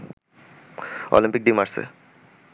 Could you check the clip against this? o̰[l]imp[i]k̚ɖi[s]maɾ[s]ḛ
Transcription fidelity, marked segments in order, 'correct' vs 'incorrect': correct, correct, incorrect: none, correct

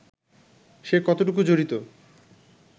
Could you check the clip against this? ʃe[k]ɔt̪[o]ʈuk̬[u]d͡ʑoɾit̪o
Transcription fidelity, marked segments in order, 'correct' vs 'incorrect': correct, correct, correct

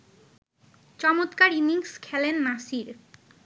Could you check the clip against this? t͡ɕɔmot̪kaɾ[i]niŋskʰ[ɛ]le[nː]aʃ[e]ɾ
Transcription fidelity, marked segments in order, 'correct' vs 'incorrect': correct, correct, correct, incorrect: i

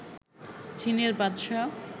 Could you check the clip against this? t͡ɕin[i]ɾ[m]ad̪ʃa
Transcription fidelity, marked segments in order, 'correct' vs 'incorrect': incorrect: e, incorrect: b

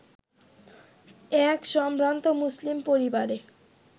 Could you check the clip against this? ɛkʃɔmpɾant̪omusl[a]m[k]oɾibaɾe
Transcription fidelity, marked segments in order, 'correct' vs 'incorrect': incorrect: i, incorrect: p

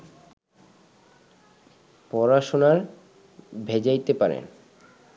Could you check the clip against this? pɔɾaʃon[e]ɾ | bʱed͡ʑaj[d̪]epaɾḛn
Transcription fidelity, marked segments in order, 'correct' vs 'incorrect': incorrect: a, incorrect: t̪

